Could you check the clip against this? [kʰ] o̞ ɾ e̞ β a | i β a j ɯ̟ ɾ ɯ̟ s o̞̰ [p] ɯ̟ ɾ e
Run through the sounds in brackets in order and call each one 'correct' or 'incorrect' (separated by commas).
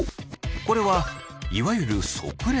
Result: incorrect, incorrect